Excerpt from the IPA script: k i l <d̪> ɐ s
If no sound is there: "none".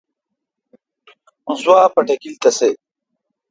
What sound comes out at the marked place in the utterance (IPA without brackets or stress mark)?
t̪